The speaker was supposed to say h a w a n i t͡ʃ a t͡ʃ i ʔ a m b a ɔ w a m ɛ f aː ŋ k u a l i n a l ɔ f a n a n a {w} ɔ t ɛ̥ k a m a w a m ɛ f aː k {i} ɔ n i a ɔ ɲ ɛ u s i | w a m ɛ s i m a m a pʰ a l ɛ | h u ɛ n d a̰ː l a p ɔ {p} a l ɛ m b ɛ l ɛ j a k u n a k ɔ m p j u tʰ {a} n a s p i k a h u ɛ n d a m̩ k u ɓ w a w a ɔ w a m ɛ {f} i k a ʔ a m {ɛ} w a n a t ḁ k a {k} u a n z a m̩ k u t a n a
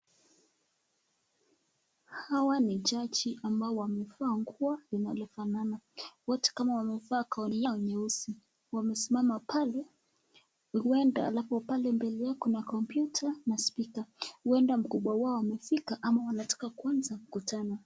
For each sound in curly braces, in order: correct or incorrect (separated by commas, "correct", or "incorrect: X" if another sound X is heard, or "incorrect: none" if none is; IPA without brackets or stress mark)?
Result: correct, incorrect: a, correct, correct, correct, incorrect: a, correct